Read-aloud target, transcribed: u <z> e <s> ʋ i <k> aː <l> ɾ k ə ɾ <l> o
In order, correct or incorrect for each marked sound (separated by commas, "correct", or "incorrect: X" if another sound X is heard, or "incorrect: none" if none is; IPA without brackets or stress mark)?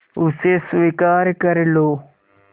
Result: incorrect: s, correct, correct, incorrect: none, correct